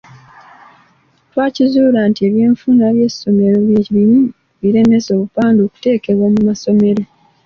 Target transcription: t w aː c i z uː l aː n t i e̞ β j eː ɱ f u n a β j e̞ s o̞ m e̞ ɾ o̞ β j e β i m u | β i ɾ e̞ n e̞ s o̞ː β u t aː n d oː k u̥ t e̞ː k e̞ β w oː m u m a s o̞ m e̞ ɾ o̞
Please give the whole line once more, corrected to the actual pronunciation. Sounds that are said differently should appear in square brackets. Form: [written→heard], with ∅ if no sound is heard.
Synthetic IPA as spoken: t w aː c i z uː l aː n t i e̞ β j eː ɱ f u n a β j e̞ s o̞ m e̞ ɾ o̞ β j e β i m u | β i ɾ e̞ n e̞ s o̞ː β u [t→p] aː n d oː k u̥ t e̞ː k e̞ β w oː m u m a s o̞ m e̞ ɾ o̞